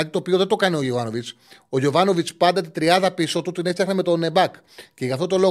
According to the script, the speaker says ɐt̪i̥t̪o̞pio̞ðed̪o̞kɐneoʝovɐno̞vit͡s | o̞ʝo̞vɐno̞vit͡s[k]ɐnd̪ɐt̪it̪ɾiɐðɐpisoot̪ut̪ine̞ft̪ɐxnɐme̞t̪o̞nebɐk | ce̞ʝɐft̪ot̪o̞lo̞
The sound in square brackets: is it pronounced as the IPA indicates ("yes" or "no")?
no